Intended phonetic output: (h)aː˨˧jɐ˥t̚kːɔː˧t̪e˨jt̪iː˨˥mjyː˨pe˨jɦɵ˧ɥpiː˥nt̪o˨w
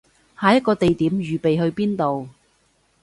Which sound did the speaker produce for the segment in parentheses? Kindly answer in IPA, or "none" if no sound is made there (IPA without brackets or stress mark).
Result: h